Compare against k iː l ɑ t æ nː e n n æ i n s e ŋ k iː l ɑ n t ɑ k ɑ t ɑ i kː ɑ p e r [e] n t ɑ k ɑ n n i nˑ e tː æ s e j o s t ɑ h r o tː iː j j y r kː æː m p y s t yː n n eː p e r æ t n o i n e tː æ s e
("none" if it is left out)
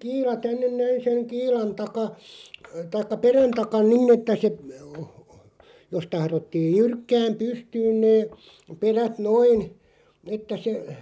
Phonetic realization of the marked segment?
æ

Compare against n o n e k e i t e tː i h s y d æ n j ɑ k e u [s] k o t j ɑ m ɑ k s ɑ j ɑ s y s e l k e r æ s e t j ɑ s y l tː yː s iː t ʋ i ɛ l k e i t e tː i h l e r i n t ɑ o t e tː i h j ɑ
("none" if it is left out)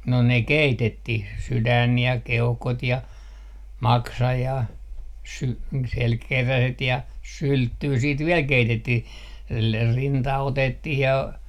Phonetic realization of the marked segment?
h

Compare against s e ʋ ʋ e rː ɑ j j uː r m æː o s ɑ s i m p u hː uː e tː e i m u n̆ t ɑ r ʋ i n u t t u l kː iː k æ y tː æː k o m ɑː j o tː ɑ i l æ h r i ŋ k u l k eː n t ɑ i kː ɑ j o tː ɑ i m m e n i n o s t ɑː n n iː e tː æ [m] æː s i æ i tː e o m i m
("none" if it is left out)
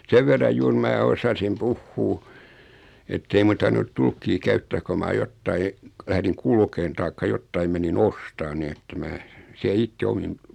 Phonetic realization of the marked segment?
m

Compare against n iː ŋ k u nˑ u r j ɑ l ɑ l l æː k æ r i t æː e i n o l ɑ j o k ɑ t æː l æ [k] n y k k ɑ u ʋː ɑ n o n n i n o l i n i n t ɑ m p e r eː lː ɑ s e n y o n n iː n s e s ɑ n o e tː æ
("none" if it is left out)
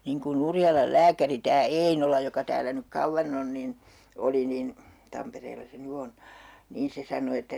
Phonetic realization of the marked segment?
none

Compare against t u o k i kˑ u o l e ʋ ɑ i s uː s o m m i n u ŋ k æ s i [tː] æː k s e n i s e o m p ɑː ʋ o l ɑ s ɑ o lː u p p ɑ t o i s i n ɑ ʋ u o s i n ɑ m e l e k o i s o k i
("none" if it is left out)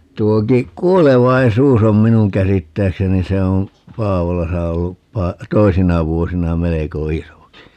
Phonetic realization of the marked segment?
tː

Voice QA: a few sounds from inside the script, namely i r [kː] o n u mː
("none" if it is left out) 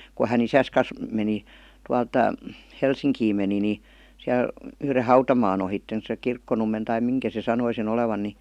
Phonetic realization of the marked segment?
kː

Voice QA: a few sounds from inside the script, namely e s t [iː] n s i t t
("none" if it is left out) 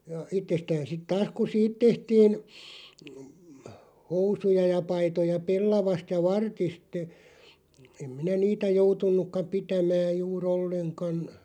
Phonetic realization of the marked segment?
æː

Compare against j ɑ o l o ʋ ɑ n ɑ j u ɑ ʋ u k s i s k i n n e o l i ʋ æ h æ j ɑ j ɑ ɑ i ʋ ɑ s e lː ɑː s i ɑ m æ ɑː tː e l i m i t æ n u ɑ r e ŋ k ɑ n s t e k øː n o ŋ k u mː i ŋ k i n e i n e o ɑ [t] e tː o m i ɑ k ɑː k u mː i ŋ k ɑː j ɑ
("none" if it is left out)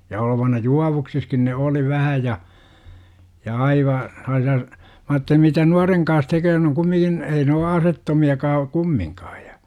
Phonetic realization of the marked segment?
s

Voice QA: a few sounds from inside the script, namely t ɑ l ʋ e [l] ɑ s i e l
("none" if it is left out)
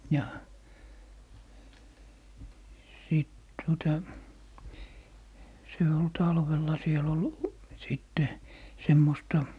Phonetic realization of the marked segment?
lː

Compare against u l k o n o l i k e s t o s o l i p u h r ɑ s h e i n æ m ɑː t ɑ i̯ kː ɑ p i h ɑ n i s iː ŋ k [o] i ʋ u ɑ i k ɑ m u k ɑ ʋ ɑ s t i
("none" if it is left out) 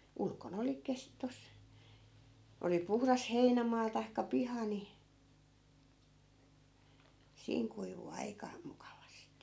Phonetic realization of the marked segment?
u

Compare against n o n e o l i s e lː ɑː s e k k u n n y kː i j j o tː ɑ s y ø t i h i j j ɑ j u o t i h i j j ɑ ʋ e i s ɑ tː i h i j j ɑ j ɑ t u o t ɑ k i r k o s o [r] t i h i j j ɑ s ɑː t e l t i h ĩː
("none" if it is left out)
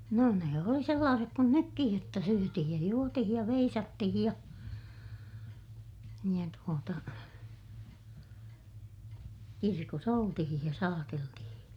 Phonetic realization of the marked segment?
l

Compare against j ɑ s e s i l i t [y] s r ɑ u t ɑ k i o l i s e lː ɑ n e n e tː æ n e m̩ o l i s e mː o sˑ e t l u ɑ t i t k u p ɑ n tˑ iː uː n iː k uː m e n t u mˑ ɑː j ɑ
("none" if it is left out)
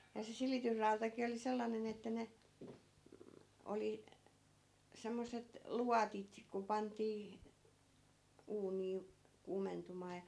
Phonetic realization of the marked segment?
y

